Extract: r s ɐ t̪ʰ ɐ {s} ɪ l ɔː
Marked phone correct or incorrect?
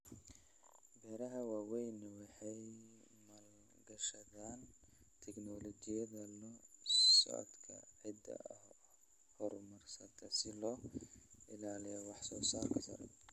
correct